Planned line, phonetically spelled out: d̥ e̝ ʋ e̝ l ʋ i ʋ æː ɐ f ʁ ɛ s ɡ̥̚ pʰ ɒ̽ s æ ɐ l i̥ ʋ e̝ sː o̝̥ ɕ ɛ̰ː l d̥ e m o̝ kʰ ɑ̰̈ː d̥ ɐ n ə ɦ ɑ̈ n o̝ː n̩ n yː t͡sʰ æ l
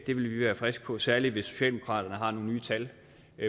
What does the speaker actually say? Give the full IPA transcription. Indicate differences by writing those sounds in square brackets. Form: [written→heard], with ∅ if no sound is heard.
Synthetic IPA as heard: d̥ e̝ ʋ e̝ l ʋ i ʋ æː ɐ f ʁ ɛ s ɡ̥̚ pʰ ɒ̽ s æ ɐ l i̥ ʋ e̝ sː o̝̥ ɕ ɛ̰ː l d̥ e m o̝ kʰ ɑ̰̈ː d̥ ɐ n ə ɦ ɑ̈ n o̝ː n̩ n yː t͡sʰ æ l

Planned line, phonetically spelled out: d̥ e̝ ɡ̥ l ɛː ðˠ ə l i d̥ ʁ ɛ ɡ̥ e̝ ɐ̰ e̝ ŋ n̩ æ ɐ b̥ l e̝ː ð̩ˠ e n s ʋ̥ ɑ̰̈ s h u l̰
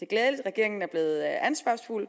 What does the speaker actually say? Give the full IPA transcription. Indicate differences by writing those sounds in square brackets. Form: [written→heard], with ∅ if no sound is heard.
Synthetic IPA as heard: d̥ e̝ ɡ̥ l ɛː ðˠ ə l i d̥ ʁ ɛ ɡ̥ e̝ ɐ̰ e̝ ŋ n̩ æ ɐ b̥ l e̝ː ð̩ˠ [e→æ] n s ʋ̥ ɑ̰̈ s [h→f] u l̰

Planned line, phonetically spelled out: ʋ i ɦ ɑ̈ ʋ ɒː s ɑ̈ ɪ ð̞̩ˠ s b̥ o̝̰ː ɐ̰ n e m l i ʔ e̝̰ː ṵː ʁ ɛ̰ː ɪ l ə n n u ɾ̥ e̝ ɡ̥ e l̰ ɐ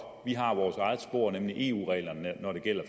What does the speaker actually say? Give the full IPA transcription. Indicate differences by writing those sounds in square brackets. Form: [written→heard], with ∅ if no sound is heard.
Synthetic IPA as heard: ʋ i ɦ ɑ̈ ʋ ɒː s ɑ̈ ɪ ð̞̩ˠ s b̥ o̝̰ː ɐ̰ n e m l i ʔ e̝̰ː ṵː ʁ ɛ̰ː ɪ l [ə→ɐ] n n [u→ɒ] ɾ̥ e̝ ɡ̥ e l̰ ɐ

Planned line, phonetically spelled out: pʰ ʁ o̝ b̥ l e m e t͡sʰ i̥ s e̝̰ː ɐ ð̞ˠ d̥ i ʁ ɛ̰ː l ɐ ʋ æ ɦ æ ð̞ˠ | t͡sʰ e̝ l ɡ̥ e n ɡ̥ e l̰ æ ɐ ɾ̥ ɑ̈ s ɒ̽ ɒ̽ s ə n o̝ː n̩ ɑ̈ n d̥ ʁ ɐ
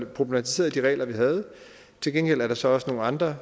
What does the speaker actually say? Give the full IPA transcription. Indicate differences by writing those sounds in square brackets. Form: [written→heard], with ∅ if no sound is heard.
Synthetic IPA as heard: pʰ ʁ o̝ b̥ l e m [e→æ] t͡sʰ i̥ s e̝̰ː ɐ ð̞ˠ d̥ i ʁ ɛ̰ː l ɐ ʋ [æ→i] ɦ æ ð̞ˠ | t͡sʰ e̝ l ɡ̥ e n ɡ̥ e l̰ æ ɐ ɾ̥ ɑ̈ s ɒ̽ ɒ̽ s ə n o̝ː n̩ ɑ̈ n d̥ ʁ ɐ

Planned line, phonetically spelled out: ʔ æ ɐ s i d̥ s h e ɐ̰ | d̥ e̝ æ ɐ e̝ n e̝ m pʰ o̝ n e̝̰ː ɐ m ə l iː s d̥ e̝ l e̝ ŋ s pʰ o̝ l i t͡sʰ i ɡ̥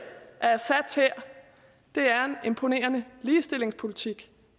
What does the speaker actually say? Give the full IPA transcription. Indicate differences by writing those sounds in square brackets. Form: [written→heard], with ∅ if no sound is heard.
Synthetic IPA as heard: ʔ æ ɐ s [i→æ] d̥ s h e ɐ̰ | d̥ e̝ æ ɐ e̝ n e̝ m pʰ o̝ n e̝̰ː ɐ [m→n] ə l iː s d̥ e̝ l e̝ ŋ s pʰ o̝ l i t͡sʰ i ɡ̥

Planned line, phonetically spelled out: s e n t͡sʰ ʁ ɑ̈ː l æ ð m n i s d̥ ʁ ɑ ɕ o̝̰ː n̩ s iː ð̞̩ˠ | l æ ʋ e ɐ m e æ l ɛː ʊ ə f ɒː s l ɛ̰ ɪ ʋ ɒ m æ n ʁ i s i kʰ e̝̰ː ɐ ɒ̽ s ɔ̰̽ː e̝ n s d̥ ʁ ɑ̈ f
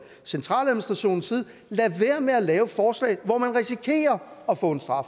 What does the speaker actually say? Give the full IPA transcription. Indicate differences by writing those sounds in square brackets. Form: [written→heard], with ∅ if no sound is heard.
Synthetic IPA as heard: s e n t͡sʰ ʁ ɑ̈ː l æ ð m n i s d̥ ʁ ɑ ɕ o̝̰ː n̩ s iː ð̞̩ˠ | l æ ʋ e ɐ m e æ l ɛː ʊ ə f ɒː s l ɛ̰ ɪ ʋ ɒ m æ n ʁ i s i kʰ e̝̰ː ɐ ɒ̽ [s→f] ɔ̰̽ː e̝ n s d̥ ʁ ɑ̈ f

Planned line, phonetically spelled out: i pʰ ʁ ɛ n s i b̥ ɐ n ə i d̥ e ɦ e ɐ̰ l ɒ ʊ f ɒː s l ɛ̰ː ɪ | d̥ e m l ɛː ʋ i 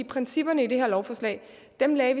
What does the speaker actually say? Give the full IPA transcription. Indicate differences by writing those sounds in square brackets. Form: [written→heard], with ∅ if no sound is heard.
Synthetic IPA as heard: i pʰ ʁ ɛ n s i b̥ ɐ n ə i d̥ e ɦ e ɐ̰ l ɒ ʊ f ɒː s l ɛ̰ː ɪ | d̥ e m l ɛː ʋ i

